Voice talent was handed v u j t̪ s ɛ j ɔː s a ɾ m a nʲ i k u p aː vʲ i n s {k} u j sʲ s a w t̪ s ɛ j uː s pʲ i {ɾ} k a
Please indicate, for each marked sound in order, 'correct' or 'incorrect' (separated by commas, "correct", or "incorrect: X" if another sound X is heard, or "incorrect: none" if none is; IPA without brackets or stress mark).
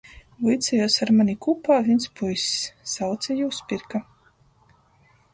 incorrect: p, correct